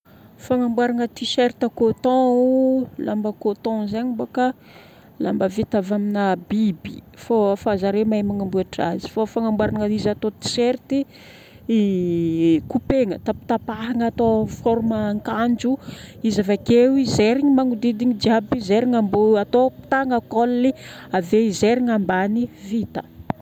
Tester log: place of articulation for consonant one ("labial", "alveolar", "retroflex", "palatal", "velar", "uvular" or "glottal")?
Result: labial